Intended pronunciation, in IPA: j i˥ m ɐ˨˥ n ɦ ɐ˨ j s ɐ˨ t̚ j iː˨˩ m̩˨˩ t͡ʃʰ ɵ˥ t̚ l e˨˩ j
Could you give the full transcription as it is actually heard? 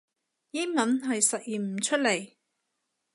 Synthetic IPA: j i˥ m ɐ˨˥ n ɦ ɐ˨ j s ɐ˨ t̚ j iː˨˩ m̩˨˩ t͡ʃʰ ɵ˥ t̚ l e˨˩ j